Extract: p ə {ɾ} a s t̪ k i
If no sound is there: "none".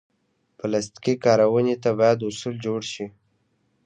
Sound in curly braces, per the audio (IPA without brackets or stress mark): l